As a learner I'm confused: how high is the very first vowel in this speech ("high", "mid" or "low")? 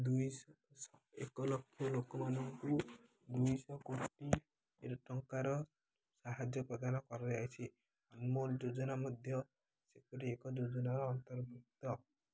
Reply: high